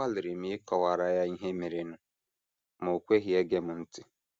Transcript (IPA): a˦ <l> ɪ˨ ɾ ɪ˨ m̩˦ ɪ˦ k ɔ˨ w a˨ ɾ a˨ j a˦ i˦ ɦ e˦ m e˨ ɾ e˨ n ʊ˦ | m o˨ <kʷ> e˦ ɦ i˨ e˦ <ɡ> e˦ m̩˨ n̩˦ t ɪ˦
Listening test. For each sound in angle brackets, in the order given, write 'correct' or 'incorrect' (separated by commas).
correct, correct, correct